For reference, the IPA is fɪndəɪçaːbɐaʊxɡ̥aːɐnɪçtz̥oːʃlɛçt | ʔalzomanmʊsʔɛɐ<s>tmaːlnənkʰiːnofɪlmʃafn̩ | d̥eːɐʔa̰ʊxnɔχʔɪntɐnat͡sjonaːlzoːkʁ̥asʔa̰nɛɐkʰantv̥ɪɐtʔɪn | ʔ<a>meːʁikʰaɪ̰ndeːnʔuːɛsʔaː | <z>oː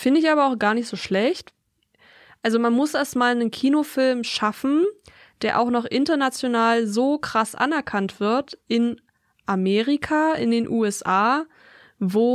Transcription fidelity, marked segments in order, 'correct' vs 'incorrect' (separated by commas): correct, correct, incorrect